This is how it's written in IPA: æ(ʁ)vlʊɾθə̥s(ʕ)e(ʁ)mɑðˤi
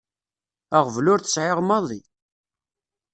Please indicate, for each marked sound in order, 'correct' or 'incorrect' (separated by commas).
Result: correct, correct, correct